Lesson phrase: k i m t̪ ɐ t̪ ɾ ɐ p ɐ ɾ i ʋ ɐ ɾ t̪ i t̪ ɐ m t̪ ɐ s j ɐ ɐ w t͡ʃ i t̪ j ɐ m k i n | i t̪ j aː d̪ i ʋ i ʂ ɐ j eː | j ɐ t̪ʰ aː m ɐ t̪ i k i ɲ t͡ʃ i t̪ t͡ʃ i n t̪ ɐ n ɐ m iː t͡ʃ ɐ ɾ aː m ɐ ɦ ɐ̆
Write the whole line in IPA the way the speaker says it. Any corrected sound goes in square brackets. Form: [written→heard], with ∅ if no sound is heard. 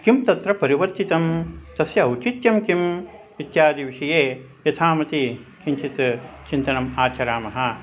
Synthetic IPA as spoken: k i m t̪ ɐ t̪ ɾ ɐ p ɐ ɾ i ʋ ɐ ɾ t̪ i t̪ ɐ m t̪ ɐ s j ɐ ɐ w t͡ʃ i t̪ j ɐ m k i [n→m] | i t̪ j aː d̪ i ʋ i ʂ ɐ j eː | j ɐ t̪ʰ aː m ɐ t̪ i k i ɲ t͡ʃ i t̪ t͡ʃ i n t̪ ɐ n ɐ m [iː→aː] t͡ʃ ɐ ɾ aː m ɐ ɦ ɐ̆